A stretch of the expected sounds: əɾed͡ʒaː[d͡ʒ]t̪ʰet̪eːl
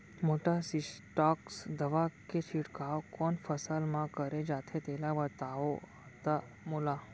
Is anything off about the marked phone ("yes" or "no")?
yes